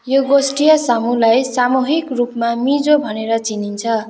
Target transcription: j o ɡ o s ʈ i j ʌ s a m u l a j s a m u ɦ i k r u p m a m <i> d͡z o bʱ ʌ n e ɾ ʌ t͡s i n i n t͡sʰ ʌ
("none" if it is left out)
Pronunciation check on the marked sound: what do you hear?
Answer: i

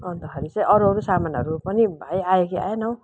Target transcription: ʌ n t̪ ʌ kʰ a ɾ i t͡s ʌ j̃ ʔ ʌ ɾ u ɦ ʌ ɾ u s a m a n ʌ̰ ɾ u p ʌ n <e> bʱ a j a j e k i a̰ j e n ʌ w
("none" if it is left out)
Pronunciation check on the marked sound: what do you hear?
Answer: i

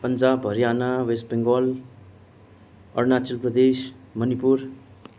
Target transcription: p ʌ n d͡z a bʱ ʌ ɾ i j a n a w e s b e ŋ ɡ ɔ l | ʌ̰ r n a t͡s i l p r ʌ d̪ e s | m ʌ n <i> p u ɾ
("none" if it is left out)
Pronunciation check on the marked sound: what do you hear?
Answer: i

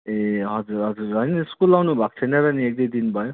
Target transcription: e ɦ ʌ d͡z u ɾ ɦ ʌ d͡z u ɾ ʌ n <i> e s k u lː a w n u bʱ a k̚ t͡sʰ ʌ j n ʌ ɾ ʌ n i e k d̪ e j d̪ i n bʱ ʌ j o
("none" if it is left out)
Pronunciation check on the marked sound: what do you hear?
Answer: i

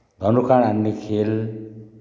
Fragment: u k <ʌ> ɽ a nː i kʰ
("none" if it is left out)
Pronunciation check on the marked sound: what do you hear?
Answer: a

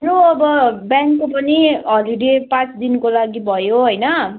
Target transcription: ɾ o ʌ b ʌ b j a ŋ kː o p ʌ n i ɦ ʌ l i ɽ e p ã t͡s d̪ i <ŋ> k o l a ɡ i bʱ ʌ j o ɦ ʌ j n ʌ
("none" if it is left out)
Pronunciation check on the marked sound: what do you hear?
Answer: n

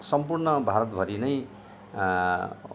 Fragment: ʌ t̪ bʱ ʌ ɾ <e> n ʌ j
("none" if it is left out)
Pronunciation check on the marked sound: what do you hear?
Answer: i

